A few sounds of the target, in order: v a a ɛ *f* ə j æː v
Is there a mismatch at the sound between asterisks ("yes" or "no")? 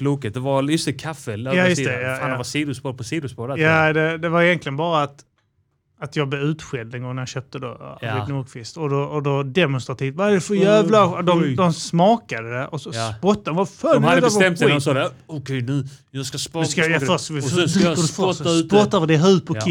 no